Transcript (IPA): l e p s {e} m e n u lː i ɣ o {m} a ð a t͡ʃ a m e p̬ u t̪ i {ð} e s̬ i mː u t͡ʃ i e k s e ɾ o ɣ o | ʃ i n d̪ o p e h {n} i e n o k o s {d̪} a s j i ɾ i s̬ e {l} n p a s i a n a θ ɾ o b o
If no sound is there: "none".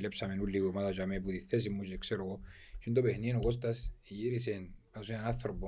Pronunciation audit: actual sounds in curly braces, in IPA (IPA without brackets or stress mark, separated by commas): a, m, θ, n, t̪, none